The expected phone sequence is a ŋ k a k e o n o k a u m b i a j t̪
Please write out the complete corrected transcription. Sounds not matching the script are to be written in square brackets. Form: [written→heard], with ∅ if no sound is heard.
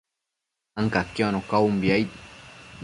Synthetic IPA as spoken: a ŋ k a k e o n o k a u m b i a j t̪